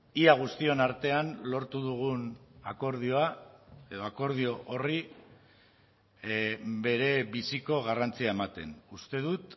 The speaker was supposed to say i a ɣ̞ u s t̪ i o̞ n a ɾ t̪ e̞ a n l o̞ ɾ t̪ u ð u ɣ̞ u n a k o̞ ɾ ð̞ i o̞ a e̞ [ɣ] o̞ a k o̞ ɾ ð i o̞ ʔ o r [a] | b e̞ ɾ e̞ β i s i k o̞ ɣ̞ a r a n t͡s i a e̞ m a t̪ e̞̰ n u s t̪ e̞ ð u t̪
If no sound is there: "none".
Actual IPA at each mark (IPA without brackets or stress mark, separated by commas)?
ð, i